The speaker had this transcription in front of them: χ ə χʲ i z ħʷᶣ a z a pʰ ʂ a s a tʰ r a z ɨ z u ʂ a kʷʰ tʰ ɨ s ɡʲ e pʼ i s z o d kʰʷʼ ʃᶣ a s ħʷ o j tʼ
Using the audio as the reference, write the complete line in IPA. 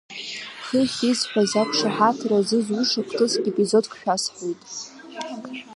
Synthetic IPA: χ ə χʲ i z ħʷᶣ a z a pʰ ʂ a ħ a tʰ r a z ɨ z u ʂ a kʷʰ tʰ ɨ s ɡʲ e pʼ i z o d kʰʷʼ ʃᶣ a s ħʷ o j tʼ